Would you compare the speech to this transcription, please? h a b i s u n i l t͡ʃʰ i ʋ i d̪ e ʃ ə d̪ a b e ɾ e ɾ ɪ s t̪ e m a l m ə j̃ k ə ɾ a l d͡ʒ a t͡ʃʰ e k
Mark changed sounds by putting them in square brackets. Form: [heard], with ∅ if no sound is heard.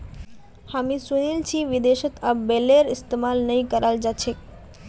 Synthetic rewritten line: h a [m] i s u n i l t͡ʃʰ i ʋ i d̪ e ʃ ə [t̪] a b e [l] e ɾ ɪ s t̪ e m a l [n] ə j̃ k ə ɾ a l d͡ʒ a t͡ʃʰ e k